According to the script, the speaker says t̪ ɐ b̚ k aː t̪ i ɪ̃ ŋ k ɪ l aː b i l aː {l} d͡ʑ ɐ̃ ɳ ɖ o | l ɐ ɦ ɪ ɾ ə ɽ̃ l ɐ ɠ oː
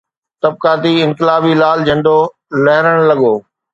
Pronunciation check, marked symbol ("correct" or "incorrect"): correct